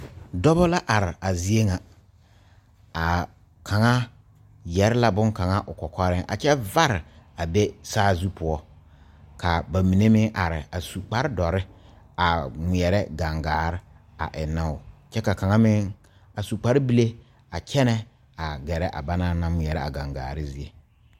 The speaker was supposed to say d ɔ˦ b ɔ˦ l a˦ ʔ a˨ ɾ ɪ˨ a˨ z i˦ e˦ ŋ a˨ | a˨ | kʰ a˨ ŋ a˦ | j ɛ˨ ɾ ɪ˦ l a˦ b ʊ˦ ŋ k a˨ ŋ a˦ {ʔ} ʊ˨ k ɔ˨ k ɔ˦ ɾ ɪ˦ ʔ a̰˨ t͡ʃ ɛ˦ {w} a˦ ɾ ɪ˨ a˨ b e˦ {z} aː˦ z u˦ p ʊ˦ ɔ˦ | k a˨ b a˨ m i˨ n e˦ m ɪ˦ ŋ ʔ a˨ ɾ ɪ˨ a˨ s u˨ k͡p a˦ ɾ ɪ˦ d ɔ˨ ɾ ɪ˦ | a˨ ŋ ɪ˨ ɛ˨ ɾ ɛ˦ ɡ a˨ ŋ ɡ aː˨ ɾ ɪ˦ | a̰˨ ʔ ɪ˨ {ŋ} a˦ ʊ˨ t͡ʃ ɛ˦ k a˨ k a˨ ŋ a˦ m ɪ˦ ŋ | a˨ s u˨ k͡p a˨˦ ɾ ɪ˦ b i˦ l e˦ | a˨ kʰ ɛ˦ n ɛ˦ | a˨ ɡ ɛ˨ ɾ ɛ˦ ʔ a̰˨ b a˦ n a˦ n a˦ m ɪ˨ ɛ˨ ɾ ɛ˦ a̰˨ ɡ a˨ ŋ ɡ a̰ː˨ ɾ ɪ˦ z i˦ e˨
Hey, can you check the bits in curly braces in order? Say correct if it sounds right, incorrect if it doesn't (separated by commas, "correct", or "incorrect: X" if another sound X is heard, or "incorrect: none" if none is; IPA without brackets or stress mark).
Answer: correct, incorrect: v, incorrect: s, incorrect: n